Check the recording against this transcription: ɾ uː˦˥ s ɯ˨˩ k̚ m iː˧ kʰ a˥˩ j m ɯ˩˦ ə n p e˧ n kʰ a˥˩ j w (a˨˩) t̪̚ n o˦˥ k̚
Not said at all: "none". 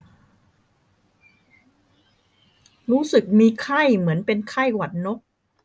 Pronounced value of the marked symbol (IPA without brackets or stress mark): a˨˩